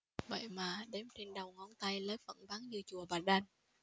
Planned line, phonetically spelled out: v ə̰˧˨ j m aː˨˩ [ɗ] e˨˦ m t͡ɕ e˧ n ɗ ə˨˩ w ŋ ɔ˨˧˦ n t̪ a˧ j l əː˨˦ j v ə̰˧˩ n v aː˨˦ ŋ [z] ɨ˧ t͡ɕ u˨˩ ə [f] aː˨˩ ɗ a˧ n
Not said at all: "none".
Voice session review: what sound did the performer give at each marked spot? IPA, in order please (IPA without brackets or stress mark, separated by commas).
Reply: ɗ, z, v